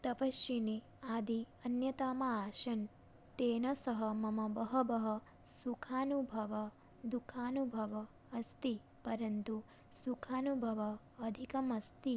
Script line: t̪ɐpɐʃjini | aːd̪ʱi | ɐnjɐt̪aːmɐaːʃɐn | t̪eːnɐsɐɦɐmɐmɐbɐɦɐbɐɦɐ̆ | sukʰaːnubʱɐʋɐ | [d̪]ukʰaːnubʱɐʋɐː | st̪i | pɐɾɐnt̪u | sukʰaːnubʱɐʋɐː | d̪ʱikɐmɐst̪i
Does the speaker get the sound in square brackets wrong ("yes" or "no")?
no